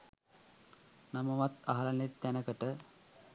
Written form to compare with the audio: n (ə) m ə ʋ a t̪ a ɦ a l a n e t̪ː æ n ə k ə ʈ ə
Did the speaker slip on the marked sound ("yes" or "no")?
yes